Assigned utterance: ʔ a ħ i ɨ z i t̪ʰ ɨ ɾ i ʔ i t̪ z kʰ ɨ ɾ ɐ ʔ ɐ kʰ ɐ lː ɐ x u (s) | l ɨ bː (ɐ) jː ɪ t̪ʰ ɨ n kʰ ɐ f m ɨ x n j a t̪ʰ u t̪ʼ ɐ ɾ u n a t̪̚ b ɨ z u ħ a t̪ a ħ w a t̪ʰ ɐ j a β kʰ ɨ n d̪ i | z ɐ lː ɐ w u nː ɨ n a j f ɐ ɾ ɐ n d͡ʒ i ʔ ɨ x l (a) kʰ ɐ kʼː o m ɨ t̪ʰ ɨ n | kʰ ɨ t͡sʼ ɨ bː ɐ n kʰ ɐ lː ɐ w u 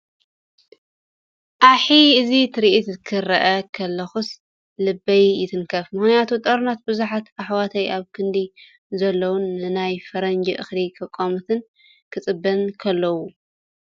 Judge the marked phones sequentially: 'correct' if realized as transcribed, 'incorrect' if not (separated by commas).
correct, correct, incorrect